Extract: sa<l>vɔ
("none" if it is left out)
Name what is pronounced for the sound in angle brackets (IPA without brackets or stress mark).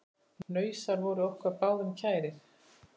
ɾ